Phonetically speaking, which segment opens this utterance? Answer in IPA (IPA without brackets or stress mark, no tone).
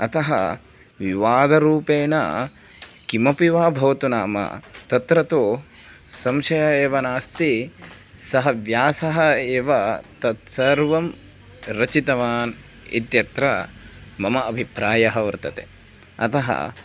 ɐ